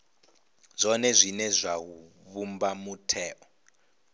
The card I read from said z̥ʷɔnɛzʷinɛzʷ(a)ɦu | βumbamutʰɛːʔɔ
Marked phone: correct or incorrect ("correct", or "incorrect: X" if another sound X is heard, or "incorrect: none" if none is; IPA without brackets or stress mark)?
correct